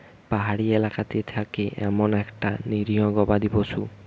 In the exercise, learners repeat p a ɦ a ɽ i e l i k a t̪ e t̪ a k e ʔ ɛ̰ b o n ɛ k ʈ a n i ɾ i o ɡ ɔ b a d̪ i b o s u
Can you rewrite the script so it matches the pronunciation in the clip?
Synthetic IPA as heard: p a ɦ a ɽ i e l a k a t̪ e t̪ʰ a k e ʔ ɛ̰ m o n ɛ k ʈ a n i ɾ i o ɡ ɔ b a d̪ i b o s u